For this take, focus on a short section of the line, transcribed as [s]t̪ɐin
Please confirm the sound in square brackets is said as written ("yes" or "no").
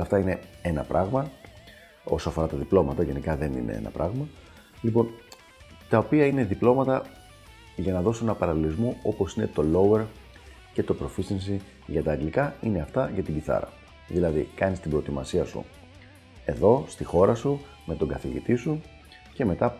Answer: no